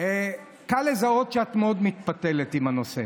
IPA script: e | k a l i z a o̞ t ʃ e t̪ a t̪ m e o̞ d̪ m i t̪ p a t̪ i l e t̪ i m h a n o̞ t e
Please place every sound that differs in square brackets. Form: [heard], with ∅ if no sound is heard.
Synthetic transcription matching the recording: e | k a l [e] z a o̞ t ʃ e [∅] a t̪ m e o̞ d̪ m i t̪ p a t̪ [e] l e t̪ i m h a n o̞ [s] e